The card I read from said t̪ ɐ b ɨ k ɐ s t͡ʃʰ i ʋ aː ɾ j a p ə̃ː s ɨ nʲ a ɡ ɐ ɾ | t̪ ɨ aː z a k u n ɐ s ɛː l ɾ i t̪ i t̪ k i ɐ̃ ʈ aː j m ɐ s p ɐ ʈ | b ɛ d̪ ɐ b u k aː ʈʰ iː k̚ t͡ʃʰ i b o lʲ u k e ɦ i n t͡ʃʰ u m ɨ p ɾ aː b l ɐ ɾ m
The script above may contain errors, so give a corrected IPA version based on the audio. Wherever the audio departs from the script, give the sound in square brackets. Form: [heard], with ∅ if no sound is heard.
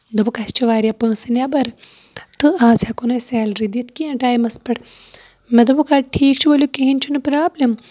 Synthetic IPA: [d̪] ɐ b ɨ k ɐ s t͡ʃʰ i ʋ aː ɾ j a p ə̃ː s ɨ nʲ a [b] ɐ ɾ | t̪ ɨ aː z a k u n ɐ s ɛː l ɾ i [d̪] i t̪ k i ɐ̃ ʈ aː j m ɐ s p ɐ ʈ | [m] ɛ d̪ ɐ b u k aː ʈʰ iː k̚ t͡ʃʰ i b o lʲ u k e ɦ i n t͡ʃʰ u [n] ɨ p ɾ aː b l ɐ [∅] m

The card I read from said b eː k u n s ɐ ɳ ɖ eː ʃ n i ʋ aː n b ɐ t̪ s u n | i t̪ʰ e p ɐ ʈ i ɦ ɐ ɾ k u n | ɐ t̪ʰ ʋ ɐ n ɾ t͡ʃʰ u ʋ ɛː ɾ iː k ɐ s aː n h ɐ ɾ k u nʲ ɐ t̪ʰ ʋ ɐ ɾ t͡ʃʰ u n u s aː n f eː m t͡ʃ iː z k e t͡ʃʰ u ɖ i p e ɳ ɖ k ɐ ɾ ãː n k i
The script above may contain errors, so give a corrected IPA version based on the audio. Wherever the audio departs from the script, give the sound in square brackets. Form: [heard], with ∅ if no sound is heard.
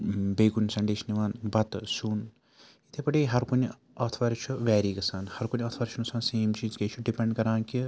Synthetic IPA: b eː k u n s ɐ ɳ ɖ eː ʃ n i ʋ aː n b ɐ t̪ s u n | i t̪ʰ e p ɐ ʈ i ɦ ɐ ɾ k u n | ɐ t̪ʰ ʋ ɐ [∅] ɾ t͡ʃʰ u ʋ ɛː ɾ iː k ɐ s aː n h ɐ ɾ k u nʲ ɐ t̪ʰ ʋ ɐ ɾ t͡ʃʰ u n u s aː n [s] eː m t͡ʃ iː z k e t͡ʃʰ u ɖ i p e ɳ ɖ k ɐ ɾ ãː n k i

